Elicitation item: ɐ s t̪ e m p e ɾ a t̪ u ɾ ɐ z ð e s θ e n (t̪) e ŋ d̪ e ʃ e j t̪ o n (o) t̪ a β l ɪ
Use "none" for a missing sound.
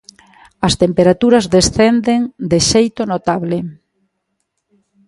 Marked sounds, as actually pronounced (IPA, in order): d̪, o

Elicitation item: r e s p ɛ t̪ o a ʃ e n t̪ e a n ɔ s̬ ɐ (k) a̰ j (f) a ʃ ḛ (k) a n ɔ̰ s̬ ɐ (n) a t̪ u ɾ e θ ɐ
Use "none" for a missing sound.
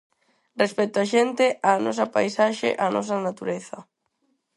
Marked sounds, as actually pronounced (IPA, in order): p, s, ʔ, n

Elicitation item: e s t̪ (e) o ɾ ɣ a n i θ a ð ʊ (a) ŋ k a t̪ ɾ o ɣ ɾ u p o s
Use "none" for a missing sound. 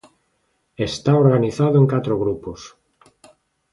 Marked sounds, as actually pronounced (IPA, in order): a, e

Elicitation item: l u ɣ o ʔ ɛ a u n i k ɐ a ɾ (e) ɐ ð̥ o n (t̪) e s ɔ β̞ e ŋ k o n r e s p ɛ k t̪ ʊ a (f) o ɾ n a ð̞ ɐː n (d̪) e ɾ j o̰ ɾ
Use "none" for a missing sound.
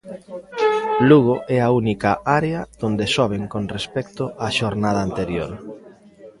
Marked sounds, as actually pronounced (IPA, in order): e, d̪, ʃ, t̪

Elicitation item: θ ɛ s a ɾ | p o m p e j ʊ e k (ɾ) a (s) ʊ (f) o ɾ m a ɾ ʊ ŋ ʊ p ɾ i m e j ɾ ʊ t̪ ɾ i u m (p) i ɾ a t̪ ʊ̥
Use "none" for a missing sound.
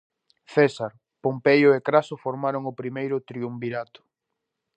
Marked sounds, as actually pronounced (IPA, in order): ɾ, s, f, b

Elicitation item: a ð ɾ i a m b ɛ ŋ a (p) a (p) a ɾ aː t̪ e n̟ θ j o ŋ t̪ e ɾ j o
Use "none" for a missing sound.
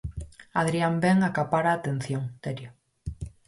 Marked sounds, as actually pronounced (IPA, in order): k, p

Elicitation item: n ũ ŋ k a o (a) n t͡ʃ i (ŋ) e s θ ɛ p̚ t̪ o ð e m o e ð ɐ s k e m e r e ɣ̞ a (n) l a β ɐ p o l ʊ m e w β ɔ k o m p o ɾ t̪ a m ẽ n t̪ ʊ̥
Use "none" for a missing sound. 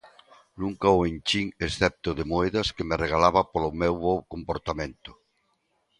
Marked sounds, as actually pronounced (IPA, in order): e, ŋ, none

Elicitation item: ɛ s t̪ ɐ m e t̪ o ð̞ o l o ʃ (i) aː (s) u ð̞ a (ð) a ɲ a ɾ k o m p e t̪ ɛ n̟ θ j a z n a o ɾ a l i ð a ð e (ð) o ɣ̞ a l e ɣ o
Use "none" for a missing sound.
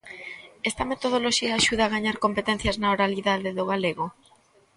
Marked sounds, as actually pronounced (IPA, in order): i, ʃ, ɣ, ð

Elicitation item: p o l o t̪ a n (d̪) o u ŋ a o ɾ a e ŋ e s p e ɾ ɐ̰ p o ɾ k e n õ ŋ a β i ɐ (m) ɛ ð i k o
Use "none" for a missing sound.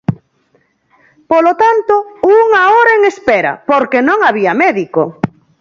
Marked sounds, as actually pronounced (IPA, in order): t̪, m

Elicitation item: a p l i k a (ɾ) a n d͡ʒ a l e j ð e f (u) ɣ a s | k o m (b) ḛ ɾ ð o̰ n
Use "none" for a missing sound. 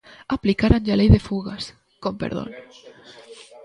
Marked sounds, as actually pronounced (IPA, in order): ɾ, u, p

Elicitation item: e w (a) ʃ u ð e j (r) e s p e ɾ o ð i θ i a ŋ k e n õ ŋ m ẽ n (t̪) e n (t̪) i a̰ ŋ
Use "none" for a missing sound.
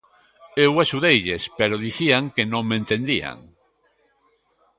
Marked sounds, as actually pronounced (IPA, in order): a, ʎ, t̪, d̪

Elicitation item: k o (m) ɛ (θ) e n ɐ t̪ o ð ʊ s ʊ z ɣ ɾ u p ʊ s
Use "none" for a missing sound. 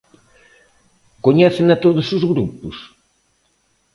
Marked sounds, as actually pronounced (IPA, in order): ɲ, θ

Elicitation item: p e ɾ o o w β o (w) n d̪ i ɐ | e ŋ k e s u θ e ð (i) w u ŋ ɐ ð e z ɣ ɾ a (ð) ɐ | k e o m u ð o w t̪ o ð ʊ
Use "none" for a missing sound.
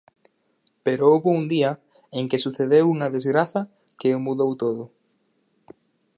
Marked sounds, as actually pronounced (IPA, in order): u, e, θ

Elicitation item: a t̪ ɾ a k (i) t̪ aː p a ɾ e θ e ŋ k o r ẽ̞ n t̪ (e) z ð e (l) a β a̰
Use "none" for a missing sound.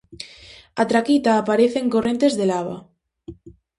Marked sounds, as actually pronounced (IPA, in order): i, e, l

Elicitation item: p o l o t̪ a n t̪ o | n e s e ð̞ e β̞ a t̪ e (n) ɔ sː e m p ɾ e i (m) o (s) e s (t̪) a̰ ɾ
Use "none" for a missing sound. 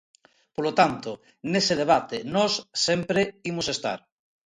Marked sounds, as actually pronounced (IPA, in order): n, m, s, t̪

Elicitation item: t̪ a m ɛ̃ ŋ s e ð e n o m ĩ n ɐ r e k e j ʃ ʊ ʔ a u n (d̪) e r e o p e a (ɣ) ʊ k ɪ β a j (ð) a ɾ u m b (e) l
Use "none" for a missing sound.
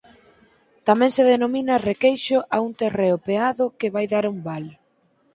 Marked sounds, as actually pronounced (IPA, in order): t̪, ð, ð, a

